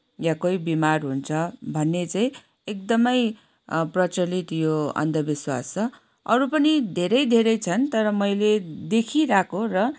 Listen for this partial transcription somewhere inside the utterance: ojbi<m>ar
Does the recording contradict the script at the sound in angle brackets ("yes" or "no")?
no